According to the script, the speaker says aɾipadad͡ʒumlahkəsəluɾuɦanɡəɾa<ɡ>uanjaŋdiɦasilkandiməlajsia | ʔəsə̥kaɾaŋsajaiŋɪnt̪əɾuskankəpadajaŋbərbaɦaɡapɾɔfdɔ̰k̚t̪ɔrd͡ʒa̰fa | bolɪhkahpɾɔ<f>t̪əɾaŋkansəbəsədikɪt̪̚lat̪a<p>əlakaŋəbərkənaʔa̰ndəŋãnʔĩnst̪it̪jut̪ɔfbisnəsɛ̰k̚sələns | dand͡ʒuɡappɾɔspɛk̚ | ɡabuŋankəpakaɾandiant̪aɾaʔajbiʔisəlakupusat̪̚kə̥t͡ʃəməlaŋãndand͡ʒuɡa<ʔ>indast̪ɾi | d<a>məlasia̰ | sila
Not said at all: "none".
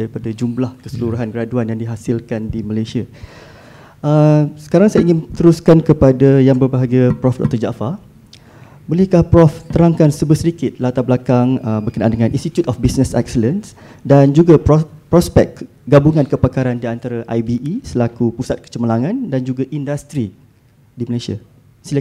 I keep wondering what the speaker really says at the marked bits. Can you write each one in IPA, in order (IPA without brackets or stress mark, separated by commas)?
d, f, b, ʔ, i